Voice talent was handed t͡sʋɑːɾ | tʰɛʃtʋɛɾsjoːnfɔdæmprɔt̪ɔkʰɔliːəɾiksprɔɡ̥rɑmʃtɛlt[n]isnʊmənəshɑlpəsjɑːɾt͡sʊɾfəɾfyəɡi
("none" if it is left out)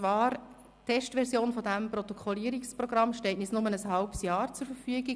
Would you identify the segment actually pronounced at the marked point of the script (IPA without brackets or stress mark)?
n